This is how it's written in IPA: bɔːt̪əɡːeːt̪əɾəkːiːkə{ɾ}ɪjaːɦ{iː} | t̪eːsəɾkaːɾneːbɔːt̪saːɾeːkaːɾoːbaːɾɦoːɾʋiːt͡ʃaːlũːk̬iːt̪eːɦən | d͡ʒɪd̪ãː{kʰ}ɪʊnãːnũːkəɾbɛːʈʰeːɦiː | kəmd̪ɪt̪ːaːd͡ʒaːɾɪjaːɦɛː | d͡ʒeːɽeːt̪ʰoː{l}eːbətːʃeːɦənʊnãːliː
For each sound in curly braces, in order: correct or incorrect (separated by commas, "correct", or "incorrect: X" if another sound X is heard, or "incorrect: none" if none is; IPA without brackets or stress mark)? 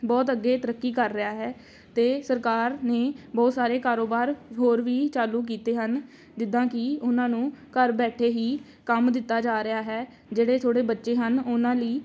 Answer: incorrect: ɾː, incorrect: ɛː, incorrect: k, incorrect: ɽ